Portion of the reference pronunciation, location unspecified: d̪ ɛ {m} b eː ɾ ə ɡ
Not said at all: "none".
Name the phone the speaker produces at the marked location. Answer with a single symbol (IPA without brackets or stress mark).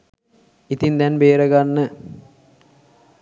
n